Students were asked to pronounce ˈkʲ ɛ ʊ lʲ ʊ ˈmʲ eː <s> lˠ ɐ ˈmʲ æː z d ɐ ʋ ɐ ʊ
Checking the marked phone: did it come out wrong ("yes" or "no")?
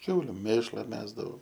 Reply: yes